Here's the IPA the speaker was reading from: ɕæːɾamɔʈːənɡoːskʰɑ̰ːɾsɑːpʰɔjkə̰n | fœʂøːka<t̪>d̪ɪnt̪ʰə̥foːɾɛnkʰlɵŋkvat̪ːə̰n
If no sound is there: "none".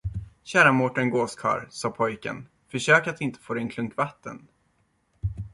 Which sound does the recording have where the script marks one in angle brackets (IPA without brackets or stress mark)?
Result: t̪